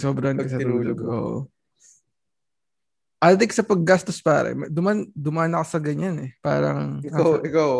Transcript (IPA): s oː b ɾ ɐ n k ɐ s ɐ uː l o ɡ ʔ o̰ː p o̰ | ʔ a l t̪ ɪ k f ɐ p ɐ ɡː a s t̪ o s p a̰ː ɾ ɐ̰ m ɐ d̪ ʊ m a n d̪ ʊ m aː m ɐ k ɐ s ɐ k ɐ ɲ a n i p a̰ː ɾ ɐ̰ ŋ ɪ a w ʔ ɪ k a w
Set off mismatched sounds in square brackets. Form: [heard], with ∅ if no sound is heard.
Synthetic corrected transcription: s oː b ɾ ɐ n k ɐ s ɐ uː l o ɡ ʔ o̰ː [ʔ] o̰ | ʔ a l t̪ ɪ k [s] ɐ p ɐ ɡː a s t̪ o s p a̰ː ɾ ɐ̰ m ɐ d̪ ʊ m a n d̪ ʊ m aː [n] ɐ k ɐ s ɐ [ɡ] ɐ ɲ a n [ɛ] p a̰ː ɾ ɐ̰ ŋ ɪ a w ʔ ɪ k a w